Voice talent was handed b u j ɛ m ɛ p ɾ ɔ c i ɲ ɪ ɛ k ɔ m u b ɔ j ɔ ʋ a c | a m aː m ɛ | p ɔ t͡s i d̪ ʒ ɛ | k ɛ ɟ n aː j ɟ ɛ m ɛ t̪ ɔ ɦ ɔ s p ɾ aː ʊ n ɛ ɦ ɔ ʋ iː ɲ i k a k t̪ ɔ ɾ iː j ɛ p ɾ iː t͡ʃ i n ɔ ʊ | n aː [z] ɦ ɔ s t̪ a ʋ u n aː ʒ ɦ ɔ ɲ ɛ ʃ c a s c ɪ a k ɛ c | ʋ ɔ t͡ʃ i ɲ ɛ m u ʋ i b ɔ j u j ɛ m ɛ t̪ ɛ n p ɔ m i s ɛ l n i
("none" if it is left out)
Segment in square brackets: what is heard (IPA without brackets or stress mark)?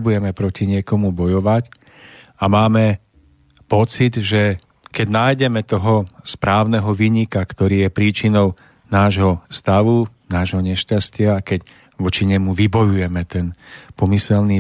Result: ʒ